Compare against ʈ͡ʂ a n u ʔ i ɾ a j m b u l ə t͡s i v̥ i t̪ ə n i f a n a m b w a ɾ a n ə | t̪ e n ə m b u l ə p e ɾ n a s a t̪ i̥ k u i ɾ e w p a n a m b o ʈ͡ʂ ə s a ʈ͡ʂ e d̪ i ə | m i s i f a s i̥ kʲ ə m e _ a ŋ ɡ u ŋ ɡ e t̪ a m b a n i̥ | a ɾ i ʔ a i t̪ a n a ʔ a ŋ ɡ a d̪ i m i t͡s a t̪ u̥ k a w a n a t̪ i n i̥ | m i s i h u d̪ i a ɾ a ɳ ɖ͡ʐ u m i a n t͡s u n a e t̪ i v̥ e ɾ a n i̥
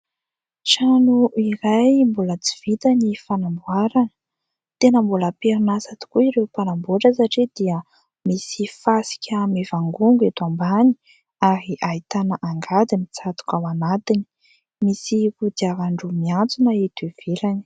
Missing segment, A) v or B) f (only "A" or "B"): A